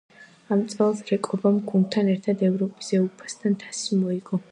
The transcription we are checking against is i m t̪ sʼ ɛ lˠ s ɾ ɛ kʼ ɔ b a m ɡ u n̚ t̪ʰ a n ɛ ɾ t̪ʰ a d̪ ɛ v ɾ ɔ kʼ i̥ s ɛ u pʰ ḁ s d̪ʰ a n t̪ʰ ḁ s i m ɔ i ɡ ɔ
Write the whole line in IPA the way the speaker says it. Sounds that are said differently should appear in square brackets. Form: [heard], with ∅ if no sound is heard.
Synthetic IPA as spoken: [a] m t̪ sʼ ɛ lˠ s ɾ ɛ kʼ ɔ b a m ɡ u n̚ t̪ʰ a n ɛ ɾ t̪ʰ a d̪ ɛ v ɾ ɔ [pʼ] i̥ s ɛ u pʰ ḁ s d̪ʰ a n t̪ʰ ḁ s i m ɔ i ɡ ɔ